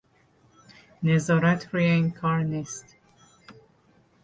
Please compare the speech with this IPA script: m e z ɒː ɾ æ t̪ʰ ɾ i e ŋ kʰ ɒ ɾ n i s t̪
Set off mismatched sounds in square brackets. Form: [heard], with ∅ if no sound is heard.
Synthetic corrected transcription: [n] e z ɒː ɾ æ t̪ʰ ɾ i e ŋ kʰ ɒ ɾ n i s t̪

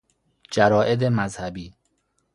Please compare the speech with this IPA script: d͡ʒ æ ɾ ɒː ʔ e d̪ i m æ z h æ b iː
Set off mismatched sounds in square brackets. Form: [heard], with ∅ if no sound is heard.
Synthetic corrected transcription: d͡ʒ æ ɾ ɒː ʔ e d̪ [e] m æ z h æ b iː

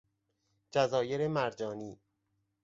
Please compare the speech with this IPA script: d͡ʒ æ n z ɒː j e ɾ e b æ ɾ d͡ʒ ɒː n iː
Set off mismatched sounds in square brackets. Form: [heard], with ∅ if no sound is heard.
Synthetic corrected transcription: d͡ʒ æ [∅] z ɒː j e ɾ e [m] æ ɾ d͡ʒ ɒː n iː

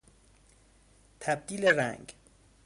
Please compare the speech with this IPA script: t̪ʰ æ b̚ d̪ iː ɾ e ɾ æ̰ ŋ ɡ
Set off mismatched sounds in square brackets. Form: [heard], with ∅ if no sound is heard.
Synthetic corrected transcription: t̪ʰ æ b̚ d̪ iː [l] e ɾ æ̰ ŋ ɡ

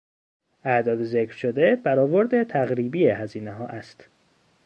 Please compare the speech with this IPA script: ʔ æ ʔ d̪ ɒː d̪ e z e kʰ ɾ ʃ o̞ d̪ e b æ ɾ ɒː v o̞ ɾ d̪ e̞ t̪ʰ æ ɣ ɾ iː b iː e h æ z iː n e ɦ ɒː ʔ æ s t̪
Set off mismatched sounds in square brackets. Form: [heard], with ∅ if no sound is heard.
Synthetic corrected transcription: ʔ æ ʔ d̪ ɒː d̪ e z e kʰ ɾ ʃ o̞ d̪ e b æ ɾ ɒː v o̞ ɾ d̪ e̞ t̪ʰ æ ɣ ɾ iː b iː e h æ z iː n e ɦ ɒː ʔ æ s t̪

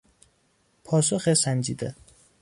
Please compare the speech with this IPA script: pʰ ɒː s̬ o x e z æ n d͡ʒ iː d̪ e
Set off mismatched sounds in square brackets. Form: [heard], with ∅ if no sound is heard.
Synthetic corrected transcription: pʰ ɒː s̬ o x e [s] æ n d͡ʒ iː d̪ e

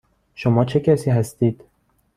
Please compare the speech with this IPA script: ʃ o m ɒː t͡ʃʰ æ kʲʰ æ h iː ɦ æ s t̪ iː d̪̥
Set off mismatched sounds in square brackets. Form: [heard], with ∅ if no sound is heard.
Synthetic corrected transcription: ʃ o m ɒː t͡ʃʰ [e] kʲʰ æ [s] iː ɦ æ s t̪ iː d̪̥

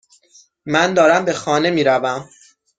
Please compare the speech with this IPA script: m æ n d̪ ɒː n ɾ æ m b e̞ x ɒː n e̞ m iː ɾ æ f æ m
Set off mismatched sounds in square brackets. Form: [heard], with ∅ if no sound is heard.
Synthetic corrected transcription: m æ n d̪ ɒː [∅] ɾ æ m b e̞ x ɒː n e̞ m iː ɾ æ [v] æ m

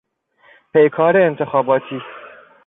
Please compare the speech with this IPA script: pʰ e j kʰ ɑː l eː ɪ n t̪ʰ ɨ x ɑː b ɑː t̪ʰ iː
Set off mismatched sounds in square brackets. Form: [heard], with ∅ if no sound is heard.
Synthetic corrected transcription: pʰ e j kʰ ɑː [ɾ] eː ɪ n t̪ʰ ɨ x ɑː b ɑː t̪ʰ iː

